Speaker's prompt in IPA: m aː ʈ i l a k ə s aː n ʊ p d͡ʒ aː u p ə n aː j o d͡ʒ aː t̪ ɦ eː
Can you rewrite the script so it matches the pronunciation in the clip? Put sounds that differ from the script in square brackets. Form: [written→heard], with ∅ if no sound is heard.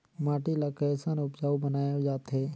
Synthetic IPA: m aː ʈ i l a k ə s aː n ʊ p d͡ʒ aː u [p→b] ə n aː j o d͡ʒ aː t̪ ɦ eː